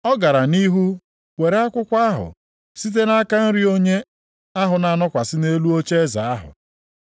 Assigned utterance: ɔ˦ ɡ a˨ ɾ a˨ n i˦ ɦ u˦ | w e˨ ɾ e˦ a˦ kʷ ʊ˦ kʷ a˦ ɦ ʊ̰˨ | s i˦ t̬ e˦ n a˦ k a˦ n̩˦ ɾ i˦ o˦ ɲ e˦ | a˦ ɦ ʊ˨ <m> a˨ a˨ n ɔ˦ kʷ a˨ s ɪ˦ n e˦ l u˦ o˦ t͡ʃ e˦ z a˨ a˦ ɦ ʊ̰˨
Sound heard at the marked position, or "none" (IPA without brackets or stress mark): n